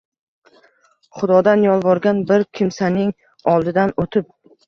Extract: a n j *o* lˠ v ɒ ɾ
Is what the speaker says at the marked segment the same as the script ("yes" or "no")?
no